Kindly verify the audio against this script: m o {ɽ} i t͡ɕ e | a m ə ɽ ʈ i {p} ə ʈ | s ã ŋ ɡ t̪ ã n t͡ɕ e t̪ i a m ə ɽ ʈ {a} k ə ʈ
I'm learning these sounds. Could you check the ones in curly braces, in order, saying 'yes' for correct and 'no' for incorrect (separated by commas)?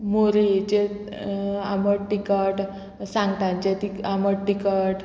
no, no, no